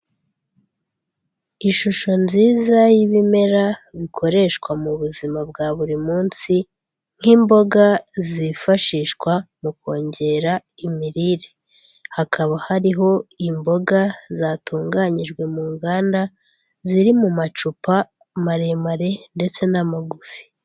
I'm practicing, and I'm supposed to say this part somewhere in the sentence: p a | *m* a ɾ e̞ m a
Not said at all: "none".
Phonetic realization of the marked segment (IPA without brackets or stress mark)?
m